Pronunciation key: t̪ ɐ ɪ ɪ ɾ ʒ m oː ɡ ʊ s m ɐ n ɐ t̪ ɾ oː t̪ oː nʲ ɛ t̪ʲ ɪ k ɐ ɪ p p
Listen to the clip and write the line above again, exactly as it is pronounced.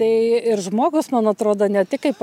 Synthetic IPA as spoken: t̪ ɐ ɪ ɪ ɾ ʒ m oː ɡ ʊ s m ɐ n ɐ t̪ ɾ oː d̪ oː nʲ ɛ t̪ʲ ɪ k ɐ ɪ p p